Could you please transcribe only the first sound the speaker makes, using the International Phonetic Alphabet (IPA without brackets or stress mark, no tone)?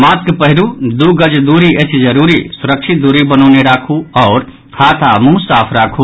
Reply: m